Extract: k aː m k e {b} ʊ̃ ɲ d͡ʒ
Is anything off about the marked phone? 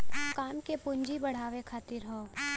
yes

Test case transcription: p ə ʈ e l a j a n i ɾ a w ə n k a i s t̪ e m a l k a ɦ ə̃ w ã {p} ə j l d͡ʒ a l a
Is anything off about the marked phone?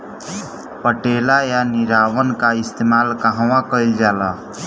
yes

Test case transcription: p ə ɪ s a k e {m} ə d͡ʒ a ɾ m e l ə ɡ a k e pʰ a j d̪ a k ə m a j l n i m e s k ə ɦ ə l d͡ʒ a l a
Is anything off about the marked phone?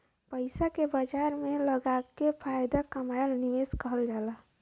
yes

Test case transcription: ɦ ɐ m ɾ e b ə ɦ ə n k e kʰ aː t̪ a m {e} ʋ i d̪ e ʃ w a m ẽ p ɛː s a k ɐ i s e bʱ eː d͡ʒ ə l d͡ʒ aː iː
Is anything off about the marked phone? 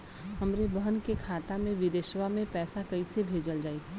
yes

